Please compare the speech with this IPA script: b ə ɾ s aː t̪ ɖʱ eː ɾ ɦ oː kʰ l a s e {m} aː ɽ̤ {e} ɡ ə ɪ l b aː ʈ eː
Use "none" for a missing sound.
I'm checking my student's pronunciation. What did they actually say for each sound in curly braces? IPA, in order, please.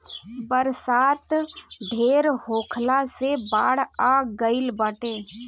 b, a

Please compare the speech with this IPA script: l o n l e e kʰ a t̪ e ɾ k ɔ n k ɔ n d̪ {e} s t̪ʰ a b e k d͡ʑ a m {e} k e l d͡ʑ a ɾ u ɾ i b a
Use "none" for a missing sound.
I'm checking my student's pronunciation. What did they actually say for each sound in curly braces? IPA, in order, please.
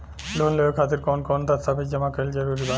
a, a

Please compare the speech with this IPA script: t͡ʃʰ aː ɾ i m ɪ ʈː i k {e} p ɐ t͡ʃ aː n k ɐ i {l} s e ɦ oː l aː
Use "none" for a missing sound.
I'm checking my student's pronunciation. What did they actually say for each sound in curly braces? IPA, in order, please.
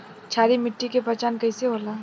e, none

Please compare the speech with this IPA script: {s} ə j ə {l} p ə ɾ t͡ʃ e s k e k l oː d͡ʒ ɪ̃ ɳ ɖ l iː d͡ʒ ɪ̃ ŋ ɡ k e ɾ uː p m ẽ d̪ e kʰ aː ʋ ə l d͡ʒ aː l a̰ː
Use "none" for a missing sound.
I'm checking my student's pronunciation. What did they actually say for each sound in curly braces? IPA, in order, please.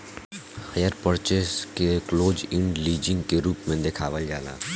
h, ɾ

